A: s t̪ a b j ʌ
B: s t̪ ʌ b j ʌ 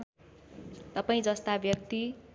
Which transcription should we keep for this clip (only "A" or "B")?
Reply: A